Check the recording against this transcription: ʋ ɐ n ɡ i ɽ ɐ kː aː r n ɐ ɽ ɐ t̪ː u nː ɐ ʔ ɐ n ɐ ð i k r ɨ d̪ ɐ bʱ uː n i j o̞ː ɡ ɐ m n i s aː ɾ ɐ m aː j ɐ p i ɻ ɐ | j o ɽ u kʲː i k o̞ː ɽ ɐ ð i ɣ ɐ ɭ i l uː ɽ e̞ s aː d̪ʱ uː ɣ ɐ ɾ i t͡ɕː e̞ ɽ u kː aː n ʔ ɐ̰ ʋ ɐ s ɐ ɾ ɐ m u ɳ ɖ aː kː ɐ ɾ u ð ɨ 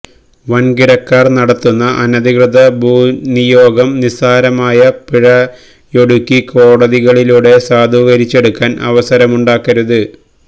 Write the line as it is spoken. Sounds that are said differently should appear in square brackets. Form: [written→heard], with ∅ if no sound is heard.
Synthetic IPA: ʋ ɐ n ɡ i ɽ ɐ kː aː r n ɐ ɽ ɐ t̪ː u nː ɐ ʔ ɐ n ɐ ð i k r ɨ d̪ ɐ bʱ uː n i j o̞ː ɡ ɐ m n i s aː ɾ ɐ m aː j ɐ p i ɻ ɐ | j o ɽ u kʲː i k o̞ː ɽ ɐ ð i ɣ ɐ ɭ i l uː ɽ e̞ s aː d̪ʱ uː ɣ ɐ ɾ i t͡ɕː e̞ ɽ u kː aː n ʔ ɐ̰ ʋ ɐ s ɐ ɾ ɐ m u ɳ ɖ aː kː ɐ ɾ u ð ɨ